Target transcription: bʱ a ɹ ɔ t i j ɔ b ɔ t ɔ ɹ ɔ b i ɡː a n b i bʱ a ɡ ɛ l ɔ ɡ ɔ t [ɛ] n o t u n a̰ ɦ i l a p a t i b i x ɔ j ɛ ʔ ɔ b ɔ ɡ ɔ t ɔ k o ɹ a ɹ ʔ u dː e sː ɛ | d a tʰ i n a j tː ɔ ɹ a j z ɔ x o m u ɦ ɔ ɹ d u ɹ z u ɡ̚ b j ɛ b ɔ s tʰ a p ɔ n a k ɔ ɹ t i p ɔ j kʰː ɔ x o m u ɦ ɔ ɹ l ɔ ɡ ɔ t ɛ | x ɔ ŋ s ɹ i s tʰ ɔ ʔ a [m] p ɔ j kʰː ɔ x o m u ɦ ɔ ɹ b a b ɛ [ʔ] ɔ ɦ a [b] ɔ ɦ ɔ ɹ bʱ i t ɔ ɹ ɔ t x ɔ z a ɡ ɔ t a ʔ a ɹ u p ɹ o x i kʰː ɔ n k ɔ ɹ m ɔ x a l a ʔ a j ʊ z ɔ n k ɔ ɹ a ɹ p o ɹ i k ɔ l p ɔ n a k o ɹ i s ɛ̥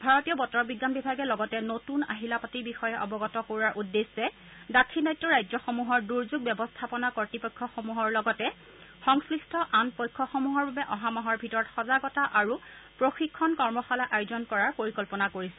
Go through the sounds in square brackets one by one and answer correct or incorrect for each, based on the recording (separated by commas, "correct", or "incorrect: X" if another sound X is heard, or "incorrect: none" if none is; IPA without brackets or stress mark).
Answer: correct, incorrect: n, correct, incorrect: m